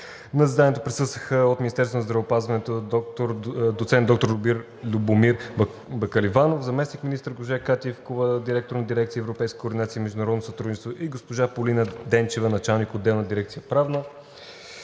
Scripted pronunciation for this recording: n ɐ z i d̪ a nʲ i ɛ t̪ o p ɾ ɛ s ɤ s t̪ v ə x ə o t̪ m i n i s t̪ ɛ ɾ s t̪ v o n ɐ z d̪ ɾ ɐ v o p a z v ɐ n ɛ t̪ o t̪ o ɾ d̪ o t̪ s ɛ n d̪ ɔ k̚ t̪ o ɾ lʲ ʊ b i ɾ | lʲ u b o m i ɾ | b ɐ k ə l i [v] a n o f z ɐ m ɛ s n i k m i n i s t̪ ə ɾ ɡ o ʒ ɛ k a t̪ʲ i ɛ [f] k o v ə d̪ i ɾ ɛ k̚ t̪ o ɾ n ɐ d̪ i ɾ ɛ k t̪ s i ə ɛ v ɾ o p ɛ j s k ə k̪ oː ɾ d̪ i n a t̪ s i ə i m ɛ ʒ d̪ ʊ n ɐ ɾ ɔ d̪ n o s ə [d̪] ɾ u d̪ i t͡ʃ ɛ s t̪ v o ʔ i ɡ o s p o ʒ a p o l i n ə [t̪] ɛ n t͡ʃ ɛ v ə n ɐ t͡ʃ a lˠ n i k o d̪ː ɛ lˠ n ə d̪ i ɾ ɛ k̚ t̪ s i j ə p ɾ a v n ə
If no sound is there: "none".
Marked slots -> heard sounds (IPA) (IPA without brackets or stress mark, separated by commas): v, f, t̪, d̪